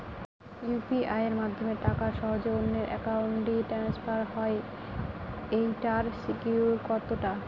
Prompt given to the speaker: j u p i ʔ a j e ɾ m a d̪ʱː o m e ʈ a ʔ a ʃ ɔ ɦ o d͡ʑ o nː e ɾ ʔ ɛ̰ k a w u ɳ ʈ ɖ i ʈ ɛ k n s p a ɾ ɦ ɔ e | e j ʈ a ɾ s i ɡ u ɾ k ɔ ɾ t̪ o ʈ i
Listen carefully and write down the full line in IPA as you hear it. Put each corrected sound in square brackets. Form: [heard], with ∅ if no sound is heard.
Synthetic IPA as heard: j u p i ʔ a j e ɾ m a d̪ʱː o m e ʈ a [k] a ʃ ɔ ɦ o d͡ʑ o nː e ɾ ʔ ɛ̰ k a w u ɳ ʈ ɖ i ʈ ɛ [∅] n s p a ɾ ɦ ɔ e | e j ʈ a ɾ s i [k] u ɾ k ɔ ɾ t̪ o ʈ [a]